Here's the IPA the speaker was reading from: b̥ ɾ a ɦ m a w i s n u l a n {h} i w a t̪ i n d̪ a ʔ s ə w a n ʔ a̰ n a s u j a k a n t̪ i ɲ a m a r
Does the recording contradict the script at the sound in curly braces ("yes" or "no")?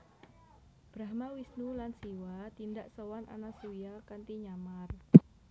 yes